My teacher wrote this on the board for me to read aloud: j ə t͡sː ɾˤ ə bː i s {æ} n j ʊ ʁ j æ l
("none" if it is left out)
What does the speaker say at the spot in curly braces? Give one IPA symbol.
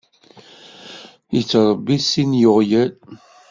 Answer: i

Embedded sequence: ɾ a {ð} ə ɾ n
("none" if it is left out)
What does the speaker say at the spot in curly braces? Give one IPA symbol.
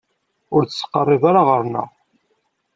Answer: ʁ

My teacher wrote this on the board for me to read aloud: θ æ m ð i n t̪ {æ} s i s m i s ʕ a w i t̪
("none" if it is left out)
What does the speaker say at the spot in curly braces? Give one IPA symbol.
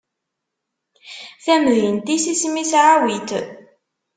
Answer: i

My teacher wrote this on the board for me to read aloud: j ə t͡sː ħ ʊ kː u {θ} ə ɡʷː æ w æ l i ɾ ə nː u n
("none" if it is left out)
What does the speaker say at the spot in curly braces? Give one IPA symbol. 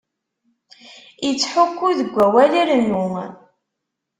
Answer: ð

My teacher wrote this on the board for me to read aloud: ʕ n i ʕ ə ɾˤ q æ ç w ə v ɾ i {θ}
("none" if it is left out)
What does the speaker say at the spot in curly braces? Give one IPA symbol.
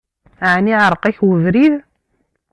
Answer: ð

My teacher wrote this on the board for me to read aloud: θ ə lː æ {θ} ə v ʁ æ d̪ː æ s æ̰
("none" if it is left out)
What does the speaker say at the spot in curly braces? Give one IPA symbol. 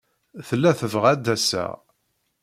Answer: θ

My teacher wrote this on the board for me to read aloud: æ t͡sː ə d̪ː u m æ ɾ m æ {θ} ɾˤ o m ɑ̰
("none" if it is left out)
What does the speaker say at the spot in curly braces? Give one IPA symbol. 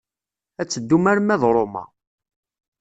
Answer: ð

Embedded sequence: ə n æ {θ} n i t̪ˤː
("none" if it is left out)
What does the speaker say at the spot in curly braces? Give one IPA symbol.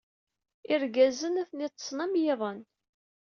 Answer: θ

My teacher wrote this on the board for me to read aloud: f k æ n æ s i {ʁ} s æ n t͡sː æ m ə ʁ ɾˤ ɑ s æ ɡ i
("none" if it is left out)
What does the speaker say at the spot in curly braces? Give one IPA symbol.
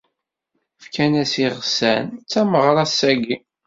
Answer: ʁ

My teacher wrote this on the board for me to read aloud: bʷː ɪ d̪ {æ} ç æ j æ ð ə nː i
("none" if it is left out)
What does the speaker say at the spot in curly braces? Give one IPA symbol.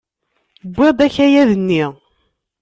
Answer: æ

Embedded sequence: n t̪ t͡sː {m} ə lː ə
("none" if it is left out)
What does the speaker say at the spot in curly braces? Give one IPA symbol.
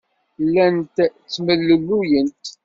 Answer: m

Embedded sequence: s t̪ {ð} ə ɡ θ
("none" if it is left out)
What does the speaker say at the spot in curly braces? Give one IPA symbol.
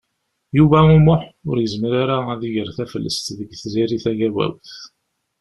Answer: ð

